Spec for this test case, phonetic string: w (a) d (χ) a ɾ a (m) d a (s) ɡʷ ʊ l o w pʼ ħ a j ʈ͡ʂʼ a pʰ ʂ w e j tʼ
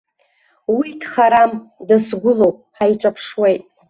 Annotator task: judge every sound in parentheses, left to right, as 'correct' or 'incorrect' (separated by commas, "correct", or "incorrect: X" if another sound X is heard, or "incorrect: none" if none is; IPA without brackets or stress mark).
incorrect: i, correct, correct, correct